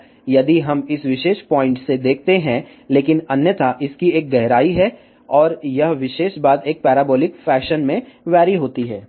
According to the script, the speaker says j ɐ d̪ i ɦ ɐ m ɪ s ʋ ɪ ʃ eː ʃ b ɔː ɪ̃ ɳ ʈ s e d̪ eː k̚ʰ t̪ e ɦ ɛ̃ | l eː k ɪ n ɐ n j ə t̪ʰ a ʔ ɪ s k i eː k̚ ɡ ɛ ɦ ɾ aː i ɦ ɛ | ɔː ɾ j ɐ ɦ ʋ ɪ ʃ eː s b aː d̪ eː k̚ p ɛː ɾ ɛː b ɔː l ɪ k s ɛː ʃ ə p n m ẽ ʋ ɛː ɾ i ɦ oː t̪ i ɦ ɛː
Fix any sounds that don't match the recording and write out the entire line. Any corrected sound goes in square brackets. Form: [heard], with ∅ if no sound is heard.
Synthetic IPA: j ɐ d̪ i ɦ ɐ m ɪ s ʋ ɪ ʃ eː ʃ [p] ɔː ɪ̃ ɳ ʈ s e d̪ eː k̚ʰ t̪ e ɦ ɛ̃ | l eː k ɪ n ɐ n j ə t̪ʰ a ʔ ɪ s k i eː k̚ ɡ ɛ ɦ ɾ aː i ɦ ɛ | ɔː ɾ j ɐ ɦ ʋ ɪ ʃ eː [ʃ] b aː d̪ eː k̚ p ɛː ɾ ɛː b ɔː l ɪ k [f] ɛː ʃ ə [∅] n m ẽ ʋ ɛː ɾ i ɦ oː t̪ i ɦ ɛː

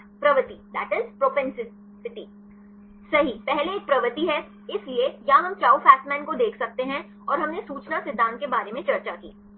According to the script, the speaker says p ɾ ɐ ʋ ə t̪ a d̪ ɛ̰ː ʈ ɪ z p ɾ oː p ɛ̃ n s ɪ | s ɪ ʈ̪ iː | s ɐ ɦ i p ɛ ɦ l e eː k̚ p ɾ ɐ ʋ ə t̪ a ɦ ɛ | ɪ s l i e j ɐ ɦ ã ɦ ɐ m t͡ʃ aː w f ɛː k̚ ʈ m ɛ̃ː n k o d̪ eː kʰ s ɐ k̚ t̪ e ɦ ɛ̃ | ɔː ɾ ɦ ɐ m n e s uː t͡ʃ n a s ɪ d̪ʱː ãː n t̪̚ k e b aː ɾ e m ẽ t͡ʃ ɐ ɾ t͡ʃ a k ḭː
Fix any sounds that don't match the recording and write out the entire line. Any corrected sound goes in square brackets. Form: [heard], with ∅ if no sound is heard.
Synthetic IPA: p ɾ ɐ ʋ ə t̪ [i] d̪ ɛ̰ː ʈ ɪ z p ɾ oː p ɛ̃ n s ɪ | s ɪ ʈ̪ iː | s ɐ ɦ i p ɛ ɦ l e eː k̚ p ɾ ɐ ʋ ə t̪ [i] ɦ ɛ | ɪ s l i e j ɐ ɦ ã ɦ ɐ m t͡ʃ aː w f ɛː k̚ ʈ m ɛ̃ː n k o d̪ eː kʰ s ɐ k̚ t̪ e ɦ ɛ̃ | ɔː ɾ ɦ ɐ m n e s uː t͡ʃ n a s ɪ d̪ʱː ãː n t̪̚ k e b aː ɾ e m ẽ t͡ʃ ɐ ɾ t͡ʃ a k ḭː

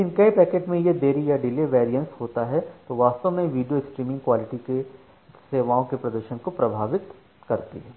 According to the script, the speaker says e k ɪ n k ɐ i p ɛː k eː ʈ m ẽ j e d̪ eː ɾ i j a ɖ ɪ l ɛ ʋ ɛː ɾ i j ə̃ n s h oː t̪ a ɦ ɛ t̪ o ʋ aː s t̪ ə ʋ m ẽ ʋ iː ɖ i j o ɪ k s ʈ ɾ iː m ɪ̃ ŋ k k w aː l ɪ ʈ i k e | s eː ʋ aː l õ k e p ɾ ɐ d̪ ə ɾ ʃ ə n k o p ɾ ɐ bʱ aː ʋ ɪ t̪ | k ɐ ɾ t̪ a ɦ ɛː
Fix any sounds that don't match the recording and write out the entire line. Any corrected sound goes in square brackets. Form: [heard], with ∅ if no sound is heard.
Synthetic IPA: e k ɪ n k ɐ i p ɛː k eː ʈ m ẽ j e d̪ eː ɾ i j a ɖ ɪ l [e] ʋ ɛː ɾ i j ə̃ n s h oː t̪ a ɦ ɛ t̪ o ʋ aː s t̪ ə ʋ m ẽ ʋ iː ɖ i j o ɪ k s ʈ ɾ iː m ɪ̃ ŋ [ɡ] k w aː l ɪ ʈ i k e | s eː ʋ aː [∅] õ k e p ɾ ɐ d̪ ə ɾ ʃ ə n k o p ɾ ɐ bʱ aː ʋ ɪ t̪ | k ɐ ɾ t̪ [i] ɦ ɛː

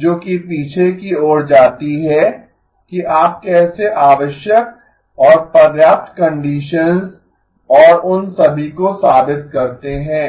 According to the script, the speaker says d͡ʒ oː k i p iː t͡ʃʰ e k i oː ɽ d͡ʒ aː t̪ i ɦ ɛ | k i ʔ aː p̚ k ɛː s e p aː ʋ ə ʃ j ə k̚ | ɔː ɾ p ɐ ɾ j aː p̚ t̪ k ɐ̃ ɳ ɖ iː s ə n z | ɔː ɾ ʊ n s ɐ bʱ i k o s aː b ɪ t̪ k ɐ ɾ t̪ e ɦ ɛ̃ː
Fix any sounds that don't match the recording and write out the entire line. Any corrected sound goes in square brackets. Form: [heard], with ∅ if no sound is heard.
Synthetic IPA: d͡ʒ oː k i p iː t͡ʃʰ e k i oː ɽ d͡ʒ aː t̪ i ɦ ɛ | k i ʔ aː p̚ k ɛː s e [ʔ] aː ʋ ə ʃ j ə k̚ | ɔː ɾ p ɐ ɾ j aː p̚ t̪ k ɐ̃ ɳ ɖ iː [ʃ] ə n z | ɔː ɾ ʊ n s ɐ bʱ i k o s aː b ɪ t̪ k ɐ ɾ t̪ e ɦ ɛ̃ː

